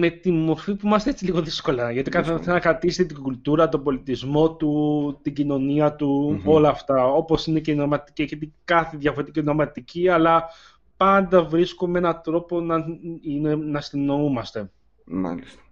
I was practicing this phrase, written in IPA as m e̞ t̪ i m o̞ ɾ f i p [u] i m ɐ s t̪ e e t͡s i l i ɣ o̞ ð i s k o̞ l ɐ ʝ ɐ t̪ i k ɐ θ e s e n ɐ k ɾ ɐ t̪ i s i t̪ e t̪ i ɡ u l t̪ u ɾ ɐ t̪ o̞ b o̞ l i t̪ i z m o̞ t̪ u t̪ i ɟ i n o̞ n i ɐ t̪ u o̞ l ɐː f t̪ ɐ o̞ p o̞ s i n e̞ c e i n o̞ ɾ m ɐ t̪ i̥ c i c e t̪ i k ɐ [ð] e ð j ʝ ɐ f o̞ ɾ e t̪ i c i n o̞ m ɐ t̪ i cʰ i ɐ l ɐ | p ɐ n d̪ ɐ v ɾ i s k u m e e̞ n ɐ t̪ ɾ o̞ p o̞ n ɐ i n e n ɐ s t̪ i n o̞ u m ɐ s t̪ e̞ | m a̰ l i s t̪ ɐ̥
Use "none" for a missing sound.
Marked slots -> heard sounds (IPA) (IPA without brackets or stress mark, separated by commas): u, θ